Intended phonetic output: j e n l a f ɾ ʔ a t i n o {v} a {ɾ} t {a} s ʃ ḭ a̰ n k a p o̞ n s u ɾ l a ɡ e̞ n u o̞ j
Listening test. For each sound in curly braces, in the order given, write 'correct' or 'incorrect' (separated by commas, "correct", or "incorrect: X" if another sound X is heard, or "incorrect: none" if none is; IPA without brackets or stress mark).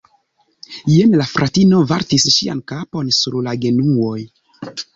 correct, correct, incorrect: i